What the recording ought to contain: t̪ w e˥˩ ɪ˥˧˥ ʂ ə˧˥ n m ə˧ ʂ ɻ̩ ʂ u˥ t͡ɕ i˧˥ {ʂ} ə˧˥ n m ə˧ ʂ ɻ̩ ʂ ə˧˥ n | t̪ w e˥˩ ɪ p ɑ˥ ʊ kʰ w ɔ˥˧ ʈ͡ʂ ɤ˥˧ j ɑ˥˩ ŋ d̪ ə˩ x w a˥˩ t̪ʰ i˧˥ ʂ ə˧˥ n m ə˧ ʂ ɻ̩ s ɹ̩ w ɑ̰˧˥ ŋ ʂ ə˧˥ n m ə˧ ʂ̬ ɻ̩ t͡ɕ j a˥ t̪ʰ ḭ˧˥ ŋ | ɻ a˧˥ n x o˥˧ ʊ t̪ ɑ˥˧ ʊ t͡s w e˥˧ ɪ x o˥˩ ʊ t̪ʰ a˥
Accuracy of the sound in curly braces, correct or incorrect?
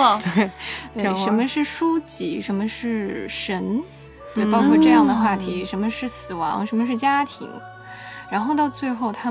correct